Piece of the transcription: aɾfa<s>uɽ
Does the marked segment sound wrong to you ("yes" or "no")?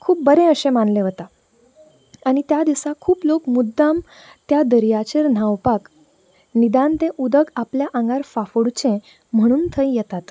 yes